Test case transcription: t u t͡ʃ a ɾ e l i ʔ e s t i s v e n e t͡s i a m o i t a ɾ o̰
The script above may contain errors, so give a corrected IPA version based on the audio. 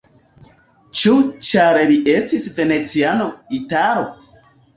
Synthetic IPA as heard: t͡ʃ u t͡ʃ a ɾ e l i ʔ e s t i s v e n e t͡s i a n o i t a ɾ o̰